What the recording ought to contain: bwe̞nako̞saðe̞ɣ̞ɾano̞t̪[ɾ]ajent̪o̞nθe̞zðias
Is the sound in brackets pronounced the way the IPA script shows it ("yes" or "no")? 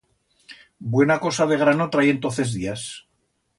yes